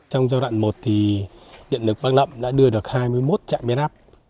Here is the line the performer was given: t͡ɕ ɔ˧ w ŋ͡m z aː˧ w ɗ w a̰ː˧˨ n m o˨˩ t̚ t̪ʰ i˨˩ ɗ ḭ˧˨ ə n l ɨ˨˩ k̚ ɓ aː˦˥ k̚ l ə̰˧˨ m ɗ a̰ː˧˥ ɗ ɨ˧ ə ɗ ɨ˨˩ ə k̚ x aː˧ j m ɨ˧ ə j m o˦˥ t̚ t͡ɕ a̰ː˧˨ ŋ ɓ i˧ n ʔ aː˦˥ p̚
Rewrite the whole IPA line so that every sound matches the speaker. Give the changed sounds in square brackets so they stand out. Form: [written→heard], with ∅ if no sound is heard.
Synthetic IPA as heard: t͡ɕ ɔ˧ w ŋ͡m z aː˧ w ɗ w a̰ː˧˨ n m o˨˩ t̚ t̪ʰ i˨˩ ɗ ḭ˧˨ ə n l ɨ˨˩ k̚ ɓ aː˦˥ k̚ l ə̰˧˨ m ɗ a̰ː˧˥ ɗ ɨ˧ ə ɗ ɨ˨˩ ə k̚ [x→h] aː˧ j m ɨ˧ ə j m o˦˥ t̚ t͡ɕ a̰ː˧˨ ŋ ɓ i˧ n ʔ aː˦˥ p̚

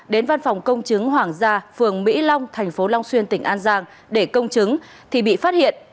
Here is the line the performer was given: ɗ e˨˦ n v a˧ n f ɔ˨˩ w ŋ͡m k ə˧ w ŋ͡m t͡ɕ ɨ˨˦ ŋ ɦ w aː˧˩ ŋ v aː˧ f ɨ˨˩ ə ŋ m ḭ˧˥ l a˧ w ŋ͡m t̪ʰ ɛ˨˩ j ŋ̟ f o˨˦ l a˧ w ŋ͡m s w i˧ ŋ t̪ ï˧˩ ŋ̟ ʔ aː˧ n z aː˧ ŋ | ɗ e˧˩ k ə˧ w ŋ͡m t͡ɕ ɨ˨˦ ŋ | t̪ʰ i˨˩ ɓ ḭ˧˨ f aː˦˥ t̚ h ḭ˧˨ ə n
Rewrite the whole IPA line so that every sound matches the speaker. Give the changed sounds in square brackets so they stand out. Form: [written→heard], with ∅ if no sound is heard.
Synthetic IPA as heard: ɗ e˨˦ n v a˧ n f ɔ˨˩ w ŋ͡m k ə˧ w ŋ͡m t͡ɕ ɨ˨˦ ŋ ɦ w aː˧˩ ŋ [v→z] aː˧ f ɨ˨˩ ə ŋ m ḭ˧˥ l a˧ w ŋ͡m t̪ʰ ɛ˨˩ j ŋ̟ f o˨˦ l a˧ w ŋ͡m s w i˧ [ŋ→n] t̪ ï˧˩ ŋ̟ ʔ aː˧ n z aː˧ ŋ | ɗ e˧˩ k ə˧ w ŋ͡m t͡ɕ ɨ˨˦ ŋ | t̪ʰ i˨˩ ɓ ḭ˧˨ f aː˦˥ t̚ h ḭ˧˨ ə n

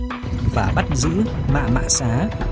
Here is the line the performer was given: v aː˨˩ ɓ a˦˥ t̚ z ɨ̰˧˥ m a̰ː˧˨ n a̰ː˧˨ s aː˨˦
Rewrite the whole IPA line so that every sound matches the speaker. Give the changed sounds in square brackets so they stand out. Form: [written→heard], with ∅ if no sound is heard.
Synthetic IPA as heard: v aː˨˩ ɓ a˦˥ t̚ z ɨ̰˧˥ m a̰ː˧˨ [n→m] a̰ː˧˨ s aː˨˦

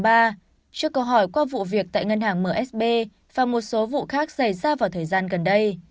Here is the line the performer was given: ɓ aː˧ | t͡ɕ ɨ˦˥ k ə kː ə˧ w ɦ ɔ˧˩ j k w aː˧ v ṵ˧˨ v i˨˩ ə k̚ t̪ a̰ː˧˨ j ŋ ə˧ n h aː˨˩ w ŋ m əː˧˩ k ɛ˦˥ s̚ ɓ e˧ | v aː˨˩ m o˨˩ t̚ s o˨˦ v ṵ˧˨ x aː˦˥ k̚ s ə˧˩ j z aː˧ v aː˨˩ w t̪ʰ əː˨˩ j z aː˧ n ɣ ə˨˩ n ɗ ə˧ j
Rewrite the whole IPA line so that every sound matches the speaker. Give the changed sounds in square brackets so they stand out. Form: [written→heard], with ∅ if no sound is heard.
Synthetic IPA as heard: ɓ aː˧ | t͡ɕ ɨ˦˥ [k→∅] ə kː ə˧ w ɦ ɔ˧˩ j k w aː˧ v ṵ˧˨ v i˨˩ ə k̚ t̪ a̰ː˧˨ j ŋ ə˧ n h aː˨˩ [w→∅] ŋ m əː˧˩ [k→ʔ] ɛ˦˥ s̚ ɓ e˧ | v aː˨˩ m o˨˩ t̚ s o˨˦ v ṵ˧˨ x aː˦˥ k̚ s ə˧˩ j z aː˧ v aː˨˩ w t̪ʰ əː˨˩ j z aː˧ n ɣ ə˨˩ n ɗ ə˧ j

